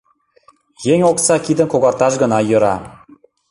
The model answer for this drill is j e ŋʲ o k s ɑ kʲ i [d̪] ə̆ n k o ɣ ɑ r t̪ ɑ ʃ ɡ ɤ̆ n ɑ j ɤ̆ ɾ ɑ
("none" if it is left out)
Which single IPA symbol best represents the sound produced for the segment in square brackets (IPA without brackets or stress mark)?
d̪